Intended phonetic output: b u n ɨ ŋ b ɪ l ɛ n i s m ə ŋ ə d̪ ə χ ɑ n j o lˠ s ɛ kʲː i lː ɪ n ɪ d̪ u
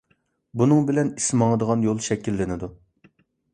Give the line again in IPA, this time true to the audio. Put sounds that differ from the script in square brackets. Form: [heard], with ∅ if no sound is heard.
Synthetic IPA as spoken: b u n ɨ ŋ b ɪ l ɛ n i s m [ɑ] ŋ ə d̪ ə [ʁ] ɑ n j o lˠ [ʃ] ɛ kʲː i lː ɪ n ɪ d̪ u